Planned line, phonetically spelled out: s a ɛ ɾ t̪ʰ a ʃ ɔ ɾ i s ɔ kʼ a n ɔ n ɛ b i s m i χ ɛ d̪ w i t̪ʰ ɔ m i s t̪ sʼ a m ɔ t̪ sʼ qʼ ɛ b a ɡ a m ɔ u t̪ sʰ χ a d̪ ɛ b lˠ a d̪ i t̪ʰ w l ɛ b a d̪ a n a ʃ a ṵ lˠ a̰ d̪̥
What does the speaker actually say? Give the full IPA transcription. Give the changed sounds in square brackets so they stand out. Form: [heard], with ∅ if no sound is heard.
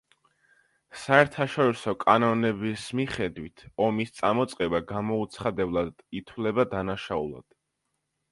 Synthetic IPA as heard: s a ɛ ɾ t̪ʰ a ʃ ɔ ɾ i s ɔ kʼ a n ɔ n ɛ b i s m i χ ɛ d̪ w i t̪ʰ ɔ m i s t̪ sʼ a m ɔ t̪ sʼ qʼ ɛ b a ɡ a m ɔ u t̪ sʰ χ a d̪ ɛ b lˠ a d̪ i t̪ʰ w l ɛ b a d̪ a n a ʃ a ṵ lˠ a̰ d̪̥